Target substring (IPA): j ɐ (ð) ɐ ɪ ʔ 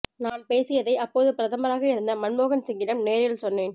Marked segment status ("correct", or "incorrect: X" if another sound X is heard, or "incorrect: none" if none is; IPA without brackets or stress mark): correct